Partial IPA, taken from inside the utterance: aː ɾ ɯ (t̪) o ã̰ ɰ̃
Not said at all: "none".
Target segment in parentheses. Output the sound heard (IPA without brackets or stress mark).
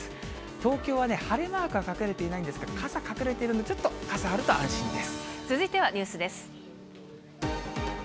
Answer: t̪